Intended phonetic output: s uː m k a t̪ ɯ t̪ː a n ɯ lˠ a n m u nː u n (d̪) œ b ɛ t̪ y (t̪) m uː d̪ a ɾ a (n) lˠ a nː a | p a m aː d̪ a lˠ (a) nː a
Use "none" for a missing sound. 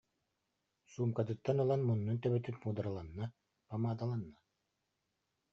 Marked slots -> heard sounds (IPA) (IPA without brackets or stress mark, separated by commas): t̪, t̪, none, a